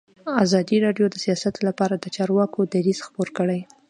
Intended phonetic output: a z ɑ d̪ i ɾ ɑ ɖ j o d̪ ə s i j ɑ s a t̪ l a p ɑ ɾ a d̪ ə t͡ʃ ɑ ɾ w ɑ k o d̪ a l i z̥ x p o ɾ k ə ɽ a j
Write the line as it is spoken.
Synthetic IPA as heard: a z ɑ d̪ i ɾ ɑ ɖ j o d̪ ə s i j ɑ s a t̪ l a p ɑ ɾ a d̪ ə t͡ʃ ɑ ɾ w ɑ k o d̪ a ɾ i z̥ x p o ɾ k ə ɽ a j